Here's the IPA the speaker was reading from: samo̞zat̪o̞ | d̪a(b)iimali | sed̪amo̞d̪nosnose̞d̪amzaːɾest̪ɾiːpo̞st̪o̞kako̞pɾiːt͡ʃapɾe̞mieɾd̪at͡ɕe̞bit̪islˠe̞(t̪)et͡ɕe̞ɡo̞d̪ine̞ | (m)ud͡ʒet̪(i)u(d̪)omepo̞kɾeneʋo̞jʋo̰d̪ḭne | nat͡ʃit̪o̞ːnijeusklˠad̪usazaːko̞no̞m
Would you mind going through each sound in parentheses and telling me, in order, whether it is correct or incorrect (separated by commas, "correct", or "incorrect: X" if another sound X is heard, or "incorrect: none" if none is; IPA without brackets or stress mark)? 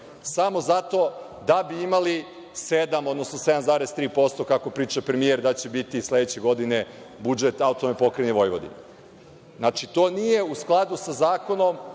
correct, incorrect: d̪, incorrect: b, incorrect: a, incorrect: t̪